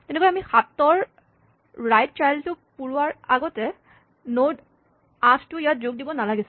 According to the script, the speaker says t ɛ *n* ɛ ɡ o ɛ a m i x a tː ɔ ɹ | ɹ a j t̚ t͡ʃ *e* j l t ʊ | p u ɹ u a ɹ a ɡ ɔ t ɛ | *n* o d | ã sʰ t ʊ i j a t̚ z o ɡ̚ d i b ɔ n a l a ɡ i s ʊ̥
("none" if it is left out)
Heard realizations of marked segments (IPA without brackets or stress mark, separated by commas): n, a, n